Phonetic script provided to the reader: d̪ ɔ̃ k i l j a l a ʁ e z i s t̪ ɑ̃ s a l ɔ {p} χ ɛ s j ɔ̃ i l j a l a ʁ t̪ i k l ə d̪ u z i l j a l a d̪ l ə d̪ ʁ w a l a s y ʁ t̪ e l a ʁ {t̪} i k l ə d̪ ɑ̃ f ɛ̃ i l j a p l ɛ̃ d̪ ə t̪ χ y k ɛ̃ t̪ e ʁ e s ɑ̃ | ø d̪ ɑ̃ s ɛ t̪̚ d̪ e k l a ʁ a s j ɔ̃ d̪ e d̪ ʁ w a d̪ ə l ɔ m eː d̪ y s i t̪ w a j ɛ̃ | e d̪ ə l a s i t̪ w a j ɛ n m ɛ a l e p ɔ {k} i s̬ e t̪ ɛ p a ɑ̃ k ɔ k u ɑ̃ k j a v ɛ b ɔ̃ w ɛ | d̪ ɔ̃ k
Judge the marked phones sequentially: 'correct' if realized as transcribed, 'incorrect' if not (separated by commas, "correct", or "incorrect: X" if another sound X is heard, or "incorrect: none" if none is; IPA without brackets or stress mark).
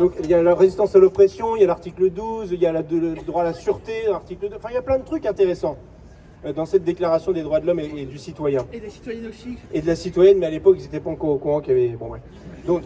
correct, correct, correct